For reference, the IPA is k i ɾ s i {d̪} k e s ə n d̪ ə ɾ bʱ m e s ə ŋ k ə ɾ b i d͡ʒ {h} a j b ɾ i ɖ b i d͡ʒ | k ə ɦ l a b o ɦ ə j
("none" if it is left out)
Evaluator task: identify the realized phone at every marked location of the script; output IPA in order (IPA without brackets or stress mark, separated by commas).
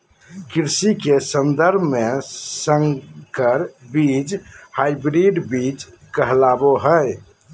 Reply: none, h